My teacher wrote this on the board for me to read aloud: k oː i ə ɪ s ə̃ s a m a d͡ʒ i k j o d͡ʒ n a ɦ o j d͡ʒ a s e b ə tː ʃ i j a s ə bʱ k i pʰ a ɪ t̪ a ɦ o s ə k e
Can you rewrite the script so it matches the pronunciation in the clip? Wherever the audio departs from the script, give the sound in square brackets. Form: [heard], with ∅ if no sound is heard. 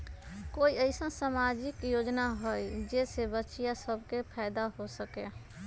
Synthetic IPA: k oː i ə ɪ s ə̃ s a m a d͡ʒ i k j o d͡ʒ n a ɦ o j d͡ʒ [e] s e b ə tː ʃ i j a s ə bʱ k [e] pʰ a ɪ [d̪] a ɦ o s ə k e